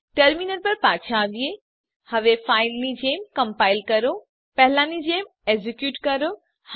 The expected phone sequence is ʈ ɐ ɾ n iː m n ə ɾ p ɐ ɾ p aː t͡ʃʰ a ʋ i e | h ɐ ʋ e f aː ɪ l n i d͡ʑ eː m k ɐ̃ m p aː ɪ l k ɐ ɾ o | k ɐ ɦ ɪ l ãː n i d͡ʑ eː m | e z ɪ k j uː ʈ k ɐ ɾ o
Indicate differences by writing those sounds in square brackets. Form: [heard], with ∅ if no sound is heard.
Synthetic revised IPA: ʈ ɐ ɾ [m] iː [∅] n ə ɾ p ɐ ɾ p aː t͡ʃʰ a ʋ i e | h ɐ ʋ e f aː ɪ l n i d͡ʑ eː m k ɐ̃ m p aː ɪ l k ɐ ɾ o | [p] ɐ ɦ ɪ l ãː n i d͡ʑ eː m | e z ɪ k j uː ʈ k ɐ ɾ o